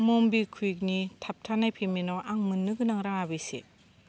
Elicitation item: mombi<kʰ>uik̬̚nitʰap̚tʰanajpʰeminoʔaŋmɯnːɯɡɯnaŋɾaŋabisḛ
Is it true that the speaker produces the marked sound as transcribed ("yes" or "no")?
yes